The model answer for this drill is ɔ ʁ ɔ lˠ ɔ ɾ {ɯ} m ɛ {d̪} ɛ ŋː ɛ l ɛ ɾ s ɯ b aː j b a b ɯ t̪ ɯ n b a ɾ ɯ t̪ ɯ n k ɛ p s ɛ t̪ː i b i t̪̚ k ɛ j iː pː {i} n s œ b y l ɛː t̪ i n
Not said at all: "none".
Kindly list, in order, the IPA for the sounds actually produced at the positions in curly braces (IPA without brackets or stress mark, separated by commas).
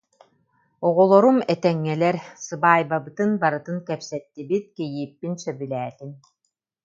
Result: u, t̪, i